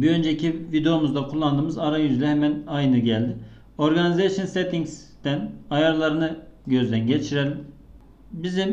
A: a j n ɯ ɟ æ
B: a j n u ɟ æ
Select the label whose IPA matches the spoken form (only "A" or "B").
A